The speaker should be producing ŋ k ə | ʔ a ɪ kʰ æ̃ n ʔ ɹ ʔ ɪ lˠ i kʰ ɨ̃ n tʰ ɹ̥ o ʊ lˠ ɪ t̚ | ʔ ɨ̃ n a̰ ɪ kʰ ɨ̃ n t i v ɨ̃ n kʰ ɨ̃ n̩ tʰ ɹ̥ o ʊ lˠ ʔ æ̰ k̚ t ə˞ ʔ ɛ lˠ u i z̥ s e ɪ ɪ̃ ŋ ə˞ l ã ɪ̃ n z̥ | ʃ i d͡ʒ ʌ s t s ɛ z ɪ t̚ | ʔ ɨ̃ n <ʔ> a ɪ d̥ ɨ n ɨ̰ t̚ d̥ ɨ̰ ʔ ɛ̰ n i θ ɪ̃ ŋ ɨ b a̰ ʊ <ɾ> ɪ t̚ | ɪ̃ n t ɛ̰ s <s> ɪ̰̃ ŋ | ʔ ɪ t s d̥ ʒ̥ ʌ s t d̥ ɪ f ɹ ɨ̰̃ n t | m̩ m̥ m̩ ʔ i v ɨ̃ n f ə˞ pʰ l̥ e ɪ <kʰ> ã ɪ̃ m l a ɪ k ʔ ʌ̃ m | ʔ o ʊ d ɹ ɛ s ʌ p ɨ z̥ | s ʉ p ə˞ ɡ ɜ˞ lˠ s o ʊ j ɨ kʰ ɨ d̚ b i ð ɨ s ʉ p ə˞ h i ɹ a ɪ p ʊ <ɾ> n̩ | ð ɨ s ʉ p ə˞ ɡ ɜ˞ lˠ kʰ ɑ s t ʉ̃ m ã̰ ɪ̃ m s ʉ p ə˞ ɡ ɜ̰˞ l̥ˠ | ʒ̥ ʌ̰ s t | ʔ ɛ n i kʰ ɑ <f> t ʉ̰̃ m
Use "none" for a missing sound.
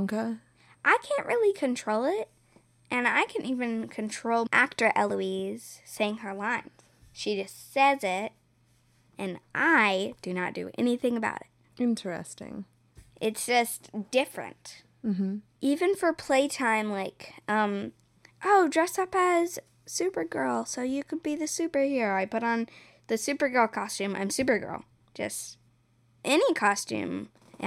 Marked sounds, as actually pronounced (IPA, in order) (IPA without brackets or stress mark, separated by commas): ʔ, ɾ, t, tʰ, ɾ, s